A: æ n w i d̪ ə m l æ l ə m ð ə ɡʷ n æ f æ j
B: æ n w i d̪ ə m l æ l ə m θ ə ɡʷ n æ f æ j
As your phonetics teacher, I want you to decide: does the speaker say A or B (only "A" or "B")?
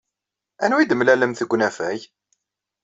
B